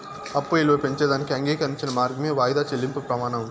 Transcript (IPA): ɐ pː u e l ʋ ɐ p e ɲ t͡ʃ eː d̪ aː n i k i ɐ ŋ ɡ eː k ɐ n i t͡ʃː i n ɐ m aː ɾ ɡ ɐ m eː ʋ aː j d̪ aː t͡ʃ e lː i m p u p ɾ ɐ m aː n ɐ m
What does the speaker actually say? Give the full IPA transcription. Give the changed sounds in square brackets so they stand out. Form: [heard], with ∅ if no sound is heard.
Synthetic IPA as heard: ɐ pː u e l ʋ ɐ p e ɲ t͡ʃ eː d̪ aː n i k i ɐ ŋ ɡ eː k ɐ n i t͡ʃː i n ɐ m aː ɾ ɡ ɐ m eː ʋ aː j d̪ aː t͡ʃ e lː i m p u p ɾ ɐ m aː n ɐ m